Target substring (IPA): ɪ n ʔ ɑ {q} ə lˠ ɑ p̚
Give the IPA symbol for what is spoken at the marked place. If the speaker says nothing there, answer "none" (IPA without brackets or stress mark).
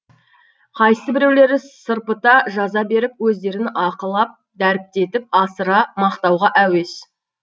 q